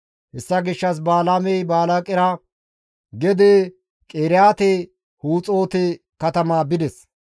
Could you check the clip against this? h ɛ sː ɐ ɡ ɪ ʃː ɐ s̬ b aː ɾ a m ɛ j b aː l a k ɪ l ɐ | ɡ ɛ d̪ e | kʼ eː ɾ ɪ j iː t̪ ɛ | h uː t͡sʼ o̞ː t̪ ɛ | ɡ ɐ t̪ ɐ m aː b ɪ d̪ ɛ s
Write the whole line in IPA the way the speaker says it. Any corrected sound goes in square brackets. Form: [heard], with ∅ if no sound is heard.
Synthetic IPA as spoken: h ɛ sː ɐ ɡ ɪ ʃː ɐ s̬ b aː [l] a m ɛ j b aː l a [kʼ] ɪ [ɾ] ɐ | ɡ ɛ d̪ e | kʼ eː ɾ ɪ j [aː] t̪ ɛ | h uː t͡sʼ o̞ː t̪ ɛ | [k] ɐ t̪ ɐ m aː b ɪ d̪ ɛ s